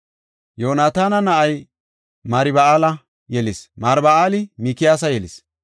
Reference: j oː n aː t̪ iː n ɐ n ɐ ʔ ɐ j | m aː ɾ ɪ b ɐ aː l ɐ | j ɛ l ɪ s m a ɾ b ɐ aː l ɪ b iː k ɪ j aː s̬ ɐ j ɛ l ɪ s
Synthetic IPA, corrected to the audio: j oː n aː t̪ aː n ɐ n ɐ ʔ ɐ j | m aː ɾ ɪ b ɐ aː l ɐ | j ɛ l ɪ s m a ɾ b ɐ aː l ɪ m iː k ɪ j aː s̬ ɐ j ɛ l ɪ s